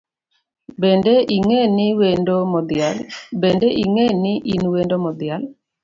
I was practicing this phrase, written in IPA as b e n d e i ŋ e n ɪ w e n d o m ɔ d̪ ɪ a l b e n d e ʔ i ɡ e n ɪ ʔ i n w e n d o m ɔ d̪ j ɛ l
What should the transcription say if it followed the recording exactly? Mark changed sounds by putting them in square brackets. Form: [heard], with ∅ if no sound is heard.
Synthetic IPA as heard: b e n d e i ŋ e n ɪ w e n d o m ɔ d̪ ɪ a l b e n d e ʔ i [ŋ] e n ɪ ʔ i n w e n d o m ɔ d̪ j [a] l